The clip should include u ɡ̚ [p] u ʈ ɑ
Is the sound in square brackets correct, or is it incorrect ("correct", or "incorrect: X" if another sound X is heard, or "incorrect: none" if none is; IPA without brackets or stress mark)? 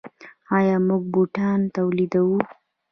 incorrect: b